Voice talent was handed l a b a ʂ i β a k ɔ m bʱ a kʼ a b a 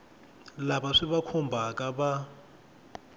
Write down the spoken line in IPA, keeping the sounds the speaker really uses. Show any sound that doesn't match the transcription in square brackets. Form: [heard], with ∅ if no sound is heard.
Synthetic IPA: l a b a ʂ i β a [kʰ] ɔ m bʱ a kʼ a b a